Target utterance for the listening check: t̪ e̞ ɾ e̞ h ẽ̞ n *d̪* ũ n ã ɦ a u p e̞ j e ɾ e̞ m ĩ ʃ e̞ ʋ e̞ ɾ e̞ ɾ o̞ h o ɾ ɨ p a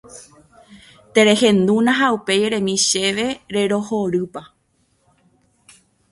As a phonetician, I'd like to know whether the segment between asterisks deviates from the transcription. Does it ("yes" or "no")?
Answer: no